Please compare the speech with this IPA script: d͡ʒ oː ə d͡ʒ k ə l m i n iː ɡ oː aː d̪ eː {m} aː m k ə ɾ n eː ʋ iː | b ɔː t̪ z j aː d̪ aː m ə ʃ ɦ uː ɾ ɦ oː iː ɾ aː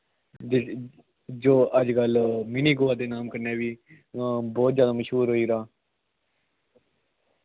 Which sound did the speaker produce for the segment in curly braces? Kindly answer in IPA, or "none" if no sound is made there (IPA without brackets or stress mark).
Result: n